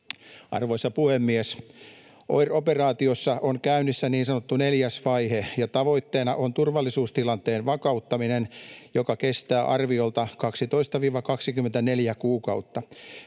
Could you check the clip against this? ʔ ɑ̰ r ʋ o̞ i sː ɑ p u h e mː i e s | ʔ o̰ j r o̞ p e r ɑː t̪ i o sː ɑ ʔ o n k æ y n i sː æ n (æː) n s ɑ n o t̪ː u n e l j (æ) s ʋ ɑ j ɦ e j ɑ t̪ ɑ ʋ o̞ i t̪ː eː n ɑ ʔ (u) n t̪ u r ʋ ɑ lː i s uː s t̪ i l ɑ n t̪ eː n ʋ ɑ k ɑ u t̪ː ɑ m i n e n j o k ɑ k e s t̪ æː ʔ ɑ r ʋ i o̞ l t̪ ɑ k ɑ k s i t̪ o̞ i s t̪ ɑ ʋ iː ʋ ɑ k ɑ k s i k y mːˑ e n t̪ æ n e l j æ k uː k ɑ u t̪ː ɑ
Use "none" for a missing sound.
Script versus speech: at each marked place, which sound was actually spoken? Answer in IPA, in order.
iː, æ, o

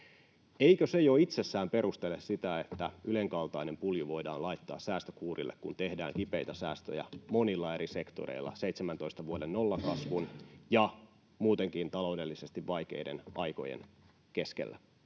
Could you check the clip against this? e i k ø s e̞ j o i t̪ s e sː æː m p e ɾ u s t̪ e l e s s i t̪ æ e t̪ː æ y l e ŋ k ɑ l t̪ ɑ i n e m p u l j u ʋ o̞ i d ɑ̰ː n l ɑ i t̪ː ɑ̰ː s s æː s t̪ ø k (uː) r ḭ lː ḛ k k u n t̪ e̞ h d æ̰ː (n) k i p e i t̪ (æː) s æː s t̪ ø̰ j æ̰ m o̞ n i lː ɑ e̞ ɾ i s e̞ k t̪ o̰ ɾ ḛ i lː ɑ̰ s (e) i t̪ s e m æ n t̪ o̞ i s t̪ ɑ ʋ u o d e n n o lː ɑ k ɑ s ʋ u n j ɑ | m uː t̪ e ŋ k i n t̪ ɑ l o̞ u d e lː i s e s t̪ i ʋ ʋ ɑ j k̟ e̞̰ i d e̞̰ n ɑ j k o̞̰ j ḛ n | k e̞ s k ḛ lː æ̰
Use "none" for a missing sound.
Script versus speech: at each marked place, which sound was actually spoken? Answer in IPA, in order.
uː, ŋ, æ, e

